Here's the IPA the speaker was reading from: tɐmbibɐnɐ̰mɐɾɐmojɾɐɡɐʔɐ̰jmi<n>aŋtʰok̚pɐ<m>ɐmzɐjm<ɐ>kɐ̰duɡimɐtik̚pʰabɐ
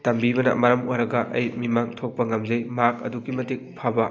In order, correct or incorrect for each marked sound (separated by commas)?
incorrect, incorrect, incorrect